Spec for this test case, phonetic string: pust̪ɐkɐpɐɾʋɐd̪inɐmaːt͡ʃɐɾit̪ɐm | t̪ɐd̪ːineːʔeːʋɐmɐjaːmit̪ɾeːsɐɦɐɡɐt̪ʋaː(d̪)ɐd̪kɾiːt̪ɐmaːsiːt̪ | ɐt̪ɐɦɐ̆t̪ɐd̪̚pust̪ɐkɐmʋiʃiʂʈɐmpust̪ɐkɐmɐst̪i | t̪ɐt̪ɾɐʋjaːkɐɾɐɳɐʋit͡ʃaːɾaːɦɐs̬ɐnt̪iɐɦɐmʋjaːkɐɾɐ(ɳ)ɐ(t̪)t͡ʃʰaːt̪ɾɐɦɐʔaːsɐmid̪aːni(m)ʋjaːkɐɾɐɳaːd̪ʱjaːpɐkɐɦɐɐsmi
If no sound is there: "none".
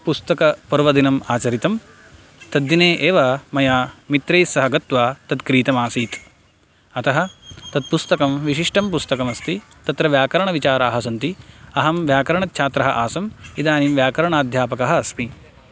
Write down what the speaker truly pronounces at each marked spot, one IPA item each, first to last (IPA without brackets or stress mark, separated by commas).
t̪, ɳ, t̪, m